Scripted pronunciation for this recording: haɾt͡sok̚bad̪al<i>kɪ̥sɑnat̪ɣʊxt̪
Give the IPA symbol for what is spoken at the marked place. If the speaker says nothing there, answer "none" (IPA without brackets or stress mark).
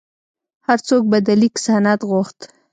i